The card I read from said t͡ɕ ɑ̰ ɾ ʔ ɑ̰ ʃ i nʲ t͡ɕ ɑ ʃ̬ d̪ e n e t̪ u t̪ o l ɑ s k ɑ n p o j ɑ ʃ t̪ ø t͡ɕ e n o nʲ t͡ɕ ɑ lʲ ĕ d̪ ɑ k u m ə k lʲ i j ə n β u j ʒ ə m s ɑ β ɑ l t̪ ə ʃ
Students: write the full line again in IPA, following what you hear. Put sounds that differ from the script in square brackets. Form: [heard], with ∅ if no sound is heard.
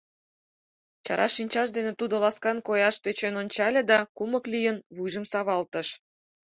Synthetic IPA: t͡ɕ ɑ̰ ɾ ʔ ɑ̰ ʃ i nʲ t͡ɕ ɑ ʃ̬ d̪ e n e t̪ u [d̪] o l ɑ s k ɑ n [k] o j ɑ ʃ t̪ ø t͡ɕ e n o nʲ t͡ɕ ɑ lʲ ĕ d̪ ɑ k u m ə k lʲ i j ə n β u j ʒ ə m s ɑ β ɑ l t̪ ə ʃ